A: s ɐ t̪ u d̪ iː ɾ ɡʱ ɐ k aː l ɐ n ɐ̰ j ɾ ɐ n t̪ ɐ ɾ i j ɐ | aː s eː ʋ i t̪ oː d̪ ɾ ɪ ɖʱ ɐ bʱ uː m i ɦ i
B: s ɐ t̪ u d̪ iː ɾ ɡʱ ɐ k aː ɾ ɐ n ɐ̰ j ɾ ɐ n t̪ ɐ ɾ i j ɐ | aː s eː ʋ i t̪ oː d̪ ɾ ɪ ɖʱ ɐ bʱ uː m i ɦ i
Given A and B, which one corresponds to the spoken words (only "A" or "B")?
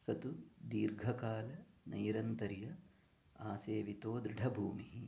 A